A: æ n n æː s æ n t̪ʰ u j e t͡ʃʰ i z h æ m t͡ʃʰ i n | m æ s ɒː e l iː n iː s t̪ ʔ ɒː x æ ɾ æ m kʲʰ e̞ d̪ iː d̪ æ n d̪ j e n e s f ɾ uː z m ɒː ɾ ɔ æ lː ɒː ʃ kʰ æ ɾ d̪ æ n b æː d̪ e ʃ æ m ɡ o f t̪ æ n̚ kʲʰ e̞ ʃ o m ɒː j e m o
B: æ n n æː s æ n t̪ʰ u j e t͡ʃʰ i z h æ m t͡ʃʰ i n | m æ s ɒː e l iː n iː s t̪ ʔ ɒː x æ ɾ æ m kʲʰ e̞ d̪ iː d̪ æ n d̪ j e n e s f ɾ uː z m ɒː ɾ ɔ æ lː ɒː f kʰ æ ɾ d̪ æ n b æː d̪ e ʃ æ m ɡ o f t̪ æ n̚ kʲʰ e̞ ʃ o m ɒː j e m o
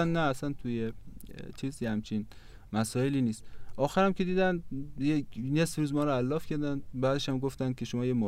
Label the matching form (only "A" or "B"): B